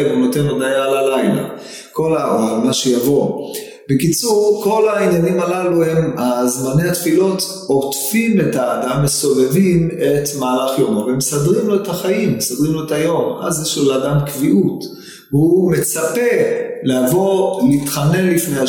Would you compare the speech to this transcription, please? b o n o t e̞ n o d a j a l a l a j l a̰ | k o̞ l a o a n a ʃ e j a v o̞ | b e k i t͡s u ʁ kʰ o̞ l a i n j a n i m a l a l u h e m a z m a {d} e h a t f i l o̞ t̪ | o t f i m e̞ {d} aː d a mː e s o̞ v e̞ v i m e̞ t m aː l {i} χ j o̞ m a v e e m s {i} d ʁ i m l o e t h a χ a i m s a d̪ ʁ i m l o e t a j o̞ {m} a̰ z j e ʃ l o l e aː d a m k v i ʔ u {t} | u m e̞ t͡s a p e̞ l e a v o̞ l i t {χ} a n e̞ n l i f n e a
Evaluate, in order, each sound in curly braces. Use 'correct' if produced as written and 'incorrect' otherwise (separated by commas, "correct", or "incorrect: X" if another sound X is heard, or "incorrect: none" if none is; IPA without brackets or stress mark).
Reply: incorrect: n, incorrect: t, incorrect: a, incorrect: a, correct, correct, correct